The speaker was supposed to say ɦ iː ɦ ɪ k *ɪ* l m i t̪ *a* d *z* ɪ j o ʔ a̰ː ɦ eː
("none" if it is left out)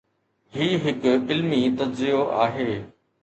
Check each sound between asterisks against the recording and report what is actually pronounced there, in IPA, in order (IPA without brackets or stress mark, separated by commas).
ɪ, ɐ, z